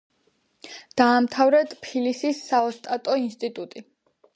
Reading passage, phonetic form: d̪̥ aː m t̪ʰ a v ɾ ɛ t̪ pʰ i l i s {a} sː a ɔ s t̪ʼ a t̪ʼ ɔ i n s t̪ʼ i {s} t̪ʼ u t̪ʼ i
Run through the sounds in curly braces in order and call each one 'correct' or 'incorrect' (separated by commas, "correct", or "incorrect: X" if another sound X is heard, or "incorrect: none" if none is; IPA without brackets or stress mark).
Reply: incorrect: i, incorrect: none